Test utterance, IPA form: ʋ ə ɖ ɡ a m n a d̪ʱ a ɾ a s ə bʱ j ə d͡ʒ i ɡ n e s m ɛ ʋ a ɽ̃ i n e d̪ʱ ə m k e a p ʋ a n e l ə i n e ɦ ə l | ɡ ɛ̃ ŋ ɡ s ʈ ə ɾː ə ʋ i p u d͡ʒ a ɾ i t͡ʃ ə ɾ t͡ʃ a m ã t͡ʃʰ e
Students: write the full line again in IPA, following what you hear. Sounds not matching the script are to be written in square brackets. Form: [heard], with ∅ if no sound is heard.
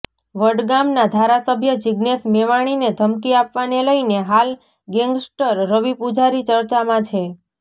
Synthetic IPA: ʋ ə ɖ ɡ a m n a d̪ʱ a ɾ a s ə bʱ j ə d͡ʒ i ɡ n e s m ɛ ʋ a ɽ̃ i n e d̪ʱ ə m k [i] a p ʋ a n e l ə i n e ɦ [a] l | ɡ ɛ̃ ŋ ɡ s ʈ ə ɾː ə ʋ i p u d͡ʒ a ɾ i t͡ʃ ə ɾ t͡ʃ a m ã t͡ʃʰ e